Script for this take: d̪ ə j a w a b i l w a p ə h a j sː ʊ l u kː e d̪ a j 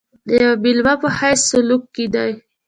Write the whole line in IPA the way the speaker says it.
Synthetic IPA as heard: d̪ ə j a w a b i l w a p ə h a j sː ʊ l u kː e d̪ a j